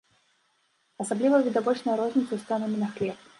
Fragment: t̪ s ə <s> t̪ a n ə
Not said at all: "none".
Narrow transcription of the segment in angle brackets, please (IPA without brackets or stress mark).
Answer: s